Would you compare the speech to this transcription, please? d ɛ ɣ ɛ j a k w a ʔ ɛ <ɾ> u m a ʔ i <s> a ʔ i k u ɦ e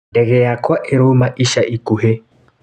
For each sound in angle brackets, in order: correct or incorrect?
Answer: correct, incorrect

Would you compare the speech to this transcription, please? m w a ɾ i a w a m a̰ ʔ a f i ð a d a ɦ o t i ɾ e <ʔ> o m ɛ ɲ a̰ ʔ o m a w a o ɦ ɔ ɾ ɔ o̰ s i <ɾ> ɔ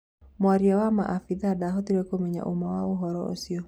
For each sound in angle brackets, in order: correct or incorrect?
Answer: incorrect, incorrect

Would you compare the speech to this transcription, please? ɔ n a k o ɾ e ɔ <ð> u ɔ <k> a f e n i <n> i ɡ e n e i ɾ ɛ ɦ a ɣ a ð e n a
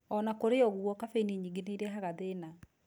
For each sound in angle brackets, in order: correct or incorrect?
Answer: incorrect, correct, incorrect

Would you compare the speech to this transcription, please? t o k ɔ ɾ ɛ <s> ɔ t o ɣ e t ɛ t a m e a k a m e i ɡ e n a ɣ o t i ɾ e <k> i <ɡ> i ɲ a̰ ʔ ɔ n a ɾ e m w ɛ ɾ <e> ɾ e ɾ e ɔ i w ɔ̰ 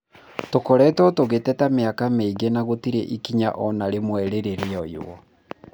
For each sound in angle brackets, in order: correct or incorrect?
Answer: incorrect, incorrect, incorrect, correct

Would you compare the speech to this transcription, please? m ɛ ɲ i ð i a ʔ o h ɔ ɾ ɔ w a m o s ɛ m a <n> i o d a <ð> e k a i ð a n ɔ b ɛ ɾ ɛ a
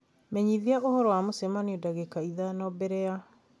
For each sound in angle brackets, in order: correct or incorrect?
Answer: correct, incorrect

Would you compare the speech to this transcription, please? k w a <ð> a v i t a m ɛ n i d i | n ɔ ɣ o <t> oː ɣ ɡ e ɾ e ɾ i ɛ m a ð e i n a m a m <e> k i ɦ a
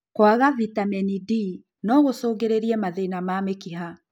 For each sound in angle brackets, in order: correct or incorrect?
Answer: incorrect, incorrect, correct

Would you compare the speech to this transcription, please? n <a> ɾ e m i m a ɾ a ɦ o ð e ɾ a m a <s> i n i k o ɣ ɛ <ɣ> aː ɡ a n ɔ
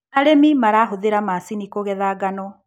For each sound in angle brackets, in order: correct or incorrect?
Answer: correct, correct, incorrect

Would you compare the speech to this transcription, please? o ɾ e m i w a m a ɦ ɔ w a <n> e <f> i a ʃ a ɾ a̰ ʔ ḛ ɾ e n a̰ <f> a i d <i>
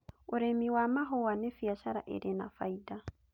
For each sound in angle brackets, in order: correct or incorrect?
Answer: correct, correct, correct, incorrect

